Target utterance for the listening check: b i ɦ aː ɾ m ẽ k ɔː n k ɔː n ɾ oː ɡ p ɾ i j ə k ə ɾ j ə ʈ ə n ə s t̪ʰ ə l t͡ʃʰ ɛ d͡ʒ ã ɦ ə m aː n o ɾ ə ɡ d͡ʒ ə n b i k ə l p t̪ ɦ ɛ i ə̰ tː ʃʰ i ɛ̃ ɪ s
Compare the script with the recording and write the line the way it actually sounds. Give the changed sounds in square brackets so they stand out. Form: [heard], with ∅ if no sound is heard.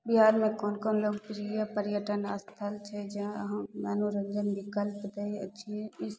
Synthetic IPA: b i ɦ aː ɾ m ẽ k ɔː n k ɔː n [l] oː ɡ p ɾ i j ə [p] ə ɾ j ə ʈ ə n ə s t̪ʰ ə l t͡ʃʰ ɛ d͡ʒ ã ɦ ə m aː n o ɾ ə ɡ d͡ʒ ə n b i k ə l p t̪ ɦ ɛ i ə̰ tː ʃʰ i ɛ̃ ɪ s